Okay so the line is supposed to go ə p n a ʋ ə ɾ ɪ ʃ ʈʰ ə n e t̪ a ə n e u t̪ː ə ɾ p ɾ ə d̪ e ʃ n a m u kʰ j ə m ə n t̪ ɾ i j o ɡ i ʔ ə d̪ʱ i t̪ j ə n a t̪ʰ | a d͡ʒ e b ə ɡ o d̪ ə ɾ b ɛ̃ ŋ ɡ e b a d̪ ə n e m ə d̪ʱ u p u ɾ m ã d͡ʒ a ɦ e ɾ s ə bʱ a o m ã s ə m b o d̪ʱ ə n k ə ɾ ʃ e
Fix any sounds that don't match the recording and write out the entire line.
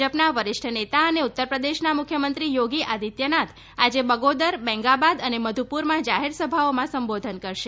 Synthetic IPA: ə p n a ʋ ə ɾ ɪ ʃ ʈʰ ə n e t̪ a ə n e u t̪ː ə ɾ p ɾ ə d̪ e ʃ n a m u kʰ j ə m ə n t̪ ɾ i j o ɡ i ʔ a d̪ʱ i t̪ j ə n a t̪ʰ | a d͡ʒ e b ə ɡ o d̪ ə ɾ b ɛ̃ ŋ ɡ a b a d̪ ə n e m ə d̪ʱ u p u ɾ m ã d͡ʒ a ɦ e ɾ s ə bʱ a o m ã s ə m b o d̪ʱ ə n k ə ɾ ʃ e